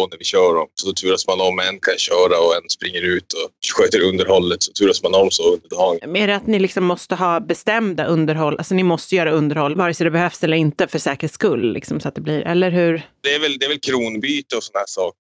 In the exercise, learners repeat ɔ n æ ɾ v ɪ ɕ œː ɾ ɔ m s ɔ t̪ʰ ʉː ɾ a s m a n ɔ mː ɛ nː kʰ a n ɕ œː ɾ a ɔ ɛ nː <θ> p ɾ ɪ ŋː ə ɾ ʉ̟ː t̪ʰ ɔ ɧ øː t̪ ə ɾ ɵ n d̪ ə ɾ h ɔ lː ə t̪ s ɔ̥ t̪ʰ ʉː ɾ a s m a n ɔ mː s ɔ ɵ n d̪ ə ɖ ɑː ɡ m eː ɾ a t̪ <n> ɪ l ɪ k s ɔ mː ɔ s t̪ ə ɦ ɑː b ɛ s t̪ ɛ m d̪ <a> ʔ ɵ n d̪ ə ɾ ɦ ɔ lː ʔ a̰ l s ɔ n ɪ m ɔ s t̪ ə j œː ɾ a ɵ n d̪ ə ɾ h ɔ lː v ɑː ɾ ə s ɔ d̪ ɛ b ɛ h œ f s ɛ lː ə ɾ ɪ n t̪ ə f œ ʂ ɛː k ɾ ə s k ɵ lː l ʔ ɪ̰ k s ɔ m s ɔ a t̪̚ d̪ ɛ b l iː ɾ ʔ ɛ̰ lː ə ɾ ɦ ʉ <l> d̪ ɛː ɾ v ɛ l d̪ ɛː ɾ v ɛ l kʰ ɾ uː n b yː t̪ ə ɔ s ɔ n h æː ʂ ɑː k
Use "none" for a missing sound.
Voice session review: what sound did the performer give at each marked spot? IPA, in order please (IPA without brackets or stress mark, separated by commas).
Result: s, n, a, ɾ